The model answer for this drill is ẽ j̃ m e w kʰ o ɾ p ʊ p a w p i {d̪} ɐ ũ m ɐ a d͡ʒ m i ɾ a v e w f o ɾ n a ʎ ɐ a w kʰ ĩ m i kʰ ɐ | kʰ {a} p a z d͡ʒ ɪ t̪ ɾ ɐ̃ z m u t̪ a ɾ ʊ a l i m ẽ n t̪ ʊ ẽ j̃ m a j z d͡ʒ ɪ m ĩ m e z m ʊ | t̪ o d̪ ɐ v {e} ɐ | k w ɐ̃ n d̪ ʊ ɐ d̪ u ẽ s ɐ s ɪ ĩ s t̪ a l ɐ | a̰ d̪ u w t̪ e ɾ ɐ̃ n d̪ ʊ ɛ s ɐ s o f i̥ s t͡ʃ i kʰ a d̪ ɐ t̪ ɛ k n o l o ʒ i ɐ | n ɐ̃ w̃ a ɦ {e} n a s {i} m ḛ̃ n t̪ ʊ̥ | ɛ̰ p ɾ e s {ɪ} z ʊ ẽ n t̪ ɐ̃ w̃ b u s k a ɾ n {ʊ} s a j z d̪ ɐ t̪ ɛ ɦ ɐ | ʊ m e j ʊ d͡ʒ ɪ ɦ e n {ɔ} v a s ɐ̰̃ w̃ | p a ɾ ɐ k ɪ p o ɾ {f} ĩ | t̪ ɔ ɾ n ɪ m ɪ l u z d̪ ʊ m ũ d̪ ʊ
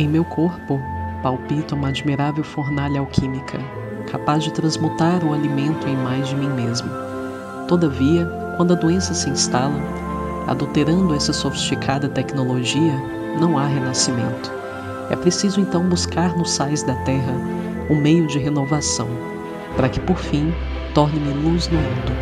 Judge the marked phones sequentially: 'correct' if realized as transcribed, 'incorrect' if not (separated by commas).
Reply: incorrect, correct, incorrect, correct, correct, incorrect, correct, incorrect, correct